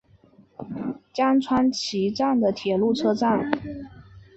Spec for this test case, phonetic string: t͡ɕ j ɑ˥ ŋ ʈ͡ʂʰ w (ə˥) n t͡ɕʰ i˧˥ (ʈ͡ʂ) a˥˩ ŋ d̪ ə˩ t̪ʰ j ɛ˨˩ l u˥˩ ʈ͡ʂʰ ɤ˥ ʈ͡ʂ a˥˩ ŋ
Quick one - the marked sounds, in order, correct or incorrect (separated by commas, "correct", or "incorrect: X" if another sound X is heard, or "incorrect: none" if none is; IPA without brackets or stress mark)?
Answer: incorrect: a˥, correct